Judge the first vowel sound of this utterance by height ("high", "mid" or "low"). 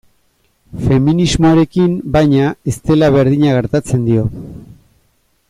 mid